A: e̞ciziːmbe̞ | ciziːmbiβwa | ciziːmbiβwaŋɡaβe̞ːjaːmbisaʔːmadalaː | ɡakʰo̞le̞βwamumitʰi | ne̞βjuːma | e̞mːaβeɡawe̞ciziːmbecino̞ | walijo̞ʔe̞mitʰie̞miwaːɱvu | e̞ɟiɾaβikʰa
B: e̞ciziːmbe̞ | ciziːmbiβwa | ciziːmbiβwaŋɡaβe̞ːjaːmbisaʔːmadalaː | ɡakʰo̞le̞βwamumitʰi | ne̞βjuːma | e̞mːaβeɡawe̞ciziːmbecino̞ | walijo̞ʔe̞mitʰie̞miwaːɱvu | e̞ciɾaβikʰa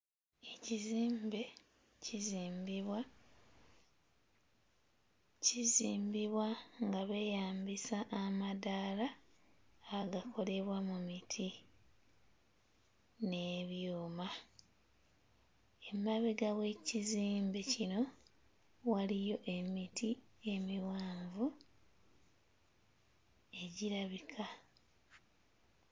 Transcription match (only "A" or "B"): A